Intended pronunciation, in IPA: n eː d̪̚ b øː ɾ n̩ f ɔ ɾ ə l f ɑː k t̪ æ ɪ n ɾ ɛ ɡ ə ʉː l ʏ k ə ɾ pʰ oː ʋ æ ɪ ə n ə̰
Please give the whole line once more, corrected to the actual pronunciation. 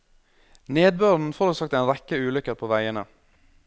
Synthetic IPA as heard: n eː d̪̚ b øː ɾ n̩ f ɔ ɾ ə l s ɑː k t̪ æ ɪ n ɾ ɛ k ə ʉː l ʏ k ə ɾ pʰ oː ʋ æ ɪ ə n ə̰